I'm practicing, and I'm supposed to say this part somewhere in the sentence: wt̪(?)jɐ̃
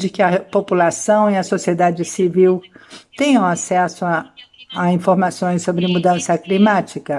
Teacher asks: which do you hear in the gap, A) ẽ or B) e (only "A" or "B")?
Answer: A